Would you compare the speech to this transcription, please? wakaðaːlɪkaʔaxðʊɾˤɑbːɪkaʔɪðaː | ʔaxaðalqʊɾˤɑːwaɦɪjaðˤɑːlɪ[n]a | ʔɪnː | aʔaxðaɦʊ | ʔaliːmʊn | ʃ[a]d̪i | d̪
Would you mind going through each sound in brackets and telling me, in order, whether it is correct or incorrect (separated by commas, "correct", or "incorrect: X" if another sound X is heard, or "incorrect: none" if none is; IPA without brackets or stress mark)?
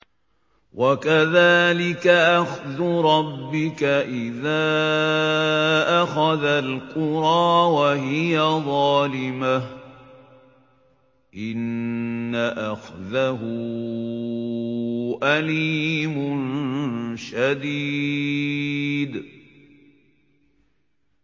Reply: incorrect: m, correct